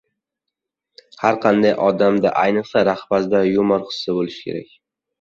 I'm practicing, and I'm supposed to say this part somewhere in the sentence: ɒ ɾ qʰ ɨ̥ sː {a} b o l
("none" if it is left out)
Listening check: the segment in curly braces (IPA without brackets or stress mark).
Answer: a